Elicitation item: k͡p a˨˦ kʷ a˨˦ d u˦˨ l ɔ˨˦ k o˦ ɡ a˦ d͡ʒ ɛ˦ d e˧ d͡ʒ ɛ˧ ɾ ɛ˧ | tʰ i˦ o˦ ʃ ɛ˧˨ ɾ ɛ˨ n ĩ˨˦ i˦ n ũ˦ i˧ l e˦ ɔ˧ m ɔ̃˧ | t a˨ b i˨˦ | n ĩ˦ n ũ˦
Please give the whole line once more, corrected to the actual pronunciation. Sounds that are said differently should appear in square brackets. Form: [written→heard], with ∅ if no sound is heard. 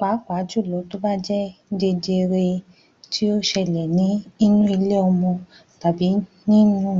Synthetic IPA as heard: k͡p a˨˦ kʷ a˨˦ [d→d͡ʒ] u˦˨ l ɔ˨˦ [k→t] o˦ [ɡ→b] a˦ d͡ʒ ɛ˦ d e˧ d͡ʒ [ɛ˧→e˧] ɾ [ɛ˧→e˧] | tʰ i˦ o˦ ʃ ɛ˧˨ [ɾ→l] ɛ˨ n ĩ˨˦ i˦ n ũ˦ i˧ l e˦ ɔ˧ m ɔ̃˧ | t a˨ b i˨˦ | n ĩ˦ n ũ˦